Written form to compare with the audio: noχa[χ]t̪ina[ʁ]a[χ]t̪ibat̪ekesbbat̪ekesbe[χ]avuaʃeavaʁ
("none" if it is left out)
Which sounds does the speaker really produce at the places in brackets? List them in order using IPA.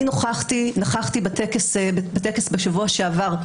χ, χ, χ, ʃ

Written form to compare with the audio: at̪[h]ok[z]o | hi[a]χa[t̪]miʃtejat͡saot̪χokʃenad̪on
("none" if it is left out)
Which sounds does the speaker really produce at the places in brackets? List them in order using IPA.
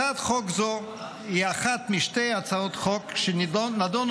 χ, z, a, t̪

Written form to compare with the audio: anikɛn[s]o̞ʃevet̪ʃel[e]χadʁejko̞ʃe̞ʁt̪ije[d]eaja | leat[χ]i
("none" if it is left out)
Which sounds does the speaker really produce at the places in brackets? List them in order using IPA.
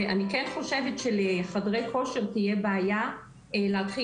χ, e, b, χ

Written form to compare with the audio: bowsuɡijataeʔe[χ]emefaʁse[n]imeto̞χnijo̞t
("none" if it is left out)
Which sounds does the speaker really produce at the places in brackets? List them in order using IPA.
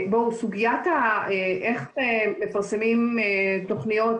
χ, m

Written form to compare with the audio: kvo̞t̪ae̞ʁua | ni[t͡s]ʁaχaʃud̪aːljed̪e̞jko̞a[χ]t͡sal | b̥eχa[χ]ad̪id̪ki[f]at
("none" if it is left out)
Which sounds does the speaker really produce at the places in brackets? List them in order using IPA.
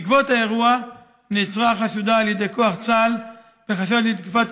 t͡s, χ, ʃ, f

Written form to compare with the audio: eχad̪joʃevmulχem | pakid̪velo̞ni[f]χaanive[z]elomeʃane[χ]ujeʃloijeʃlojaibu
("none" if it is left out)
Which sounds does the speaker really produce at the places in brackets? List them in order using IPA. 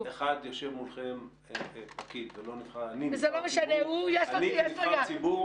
f, z, none

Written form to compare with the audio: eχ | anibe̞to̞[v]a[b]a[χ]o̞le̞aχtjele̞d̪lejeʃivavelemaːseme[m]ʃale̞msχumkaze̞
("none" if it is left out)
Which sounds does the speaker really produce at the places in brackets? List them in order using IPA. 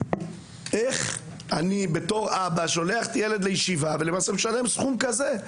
ʁ, b, ʃ, none

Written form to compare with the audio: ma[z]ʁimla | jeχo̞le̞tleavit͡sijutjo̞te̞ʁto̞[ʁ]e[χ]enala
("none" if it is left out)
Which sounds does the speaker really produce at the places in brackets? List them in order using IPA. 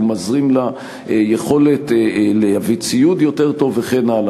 z, v, χ

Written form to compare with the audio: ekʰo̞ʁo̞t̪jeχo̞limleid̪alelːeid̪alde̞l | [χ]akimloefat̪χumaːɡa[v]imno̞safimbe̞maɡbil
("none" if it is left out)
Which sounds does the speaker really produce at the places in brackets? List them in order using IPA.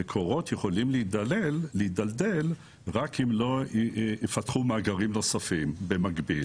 ʁ, ʁ

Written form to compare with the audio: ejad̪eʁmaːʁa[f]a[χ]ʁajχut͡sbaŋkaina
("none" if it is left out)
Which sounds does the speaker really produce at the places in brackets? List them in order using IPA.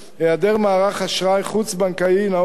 χ, ʃ

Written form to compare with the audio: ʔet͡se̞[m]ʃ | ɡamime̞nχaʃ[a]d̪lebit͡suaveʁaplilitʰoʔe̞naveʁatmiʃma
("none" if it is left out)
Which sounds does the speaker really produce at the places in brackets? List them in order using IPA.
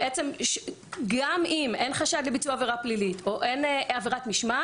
m, a

